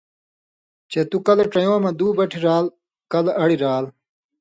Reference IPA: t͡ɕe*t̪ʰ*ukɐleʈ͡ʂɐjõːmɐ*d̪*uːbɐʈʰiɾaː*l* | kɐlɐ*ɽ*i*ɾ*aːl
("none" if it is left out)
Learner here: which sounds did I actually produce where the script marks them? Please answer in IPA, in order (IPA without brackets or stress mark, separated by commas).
t̪, d̪, l, ɽ, ɾ